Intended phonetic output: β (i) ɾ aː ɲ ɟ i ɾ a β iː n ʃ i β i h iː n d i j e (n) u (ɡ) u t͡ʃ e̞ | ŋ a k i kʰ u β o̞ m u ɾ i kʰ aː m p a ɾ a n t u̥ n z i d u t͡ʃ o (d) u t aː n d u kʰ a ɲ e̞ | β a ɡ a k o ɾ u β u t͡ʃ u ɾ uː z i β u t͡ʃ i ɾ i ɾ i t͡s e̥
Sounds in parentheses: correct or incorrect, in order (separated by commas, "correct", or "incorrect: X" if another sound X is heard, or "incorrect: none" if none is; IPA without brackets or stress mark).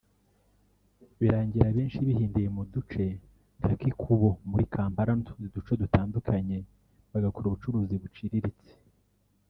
correct, incorrect: m, incorrect: d, correct